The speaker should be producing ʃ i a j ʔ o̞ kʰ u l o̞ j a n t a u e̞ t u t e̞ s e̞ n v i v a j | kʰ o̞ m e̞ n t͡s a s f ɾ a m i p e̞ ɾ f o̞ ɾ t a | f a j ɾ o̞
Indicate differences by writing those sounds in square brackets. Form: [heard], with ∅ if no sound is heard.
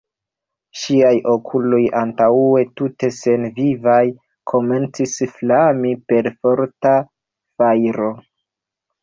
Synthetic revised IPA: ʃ i a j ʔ o̞ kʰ u l o̞ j a n t a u e̞ t u t e̞ s e̞ n v i v a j | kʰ o̞ m e̞ n t͡s [i] s f [l] a m i p e̞ ɾ f o̞ ɾ t a | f a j ɾ o̞

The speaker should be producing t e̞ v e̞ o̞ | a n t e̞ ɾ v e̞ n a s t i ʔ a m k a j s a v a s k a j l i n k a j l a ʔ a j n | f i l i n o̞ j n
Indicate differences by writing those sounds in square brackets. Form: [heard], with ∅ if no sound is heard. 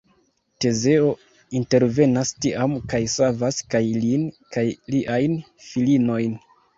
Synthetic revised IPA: t e̞ [z] e̞ o̞ | [i] n t e̞ ɾ v e̞ n a s t i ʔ a m k a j s a v a s k a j l i n k a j l [i] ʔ a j n | f i l i n o̞ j n

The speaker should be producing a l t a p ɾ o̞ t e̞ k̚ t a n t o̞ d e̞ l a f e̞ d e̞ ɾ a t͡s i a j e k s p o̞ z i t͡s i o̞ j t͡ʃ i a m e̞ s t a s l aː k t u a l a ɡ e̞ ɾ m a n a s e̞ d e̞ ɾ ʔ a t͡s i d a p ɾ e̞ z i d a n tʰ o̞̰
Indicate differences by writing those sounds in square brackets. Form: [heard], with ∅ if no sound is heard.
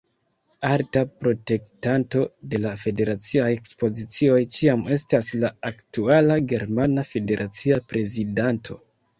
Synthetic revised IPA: a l t a p ɾ o̞ t e̞ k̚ t a n t o̞ d e̞ l a f e̞ d e̞ ɾ a t͡s i a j e k s p o̞ z i t͡s i o̞ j t͡ʃ i a m e̞ s t a s l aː k t u a l a ɡ e̞ ɾ m a n a [f] e̞ d e̞ ɾ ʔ a t͡s i [∅] a p ɾ e̞ z i d a n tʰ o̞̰

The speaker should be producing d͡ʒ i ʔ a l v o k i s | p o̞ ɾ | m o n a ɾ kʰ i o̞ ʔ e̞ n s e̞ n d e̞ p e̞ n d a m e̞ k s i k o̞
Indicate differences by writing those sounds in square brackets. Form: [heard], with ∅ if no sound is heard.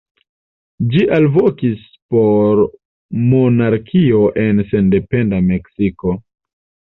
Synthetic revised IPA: d͡ʒ i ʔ a l v o k i s | p o̞ ɾ | m o n a ɾ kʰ i o̞ ʔ e̞ n s e̞ n d e̞ p e̞ n d a m e̞ k s i k o̞

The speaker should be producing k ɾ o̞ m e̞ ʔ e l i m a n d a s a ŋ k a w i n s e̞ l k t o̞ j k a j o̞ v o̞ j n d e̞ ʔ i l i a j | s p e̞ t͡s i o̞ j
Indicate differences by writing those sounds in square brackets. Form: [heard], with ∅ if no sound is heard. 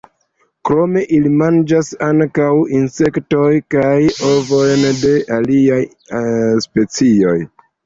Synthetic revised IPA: k ɾ o̞ m e̞ ʔ [i] l i m a n [d͡ʒ] a s a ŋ k a w i n s e̞ [∅] k t o̞ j k a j o̞ v o̞ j n d e̞ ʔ [a] l i a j | s p e̞ t͡s i o̞ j

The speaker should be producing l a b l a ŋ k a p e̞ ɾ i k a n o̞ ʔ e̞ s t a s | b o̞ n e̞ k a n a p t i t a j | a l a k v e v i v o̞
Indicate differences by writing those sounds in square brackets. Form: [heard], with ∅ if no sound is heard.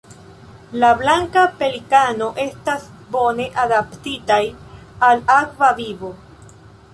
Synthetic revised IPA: l a b l a ŋ k a p e̞ [l] i k a n o̞ ʔ e̞ s t a s | b o̞ n e̞ [ʔ] a [d] a p t i t a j | a l a k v [a] v i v o̞

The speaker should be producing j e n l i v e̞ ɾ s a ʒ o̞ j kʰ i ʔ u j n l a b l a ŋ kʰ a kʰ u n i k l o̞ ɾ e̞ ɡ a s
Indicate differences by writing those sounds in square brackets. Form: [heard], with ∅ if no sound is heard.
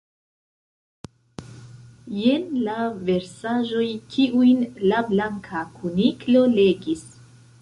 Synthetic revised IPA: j e n l [a] v e̞ ɾ s a ʒ o̞ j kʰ i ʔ u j n l a b l a ŋ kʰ a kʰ u n i k l o̞ [l] e̞ ɡ [i] s

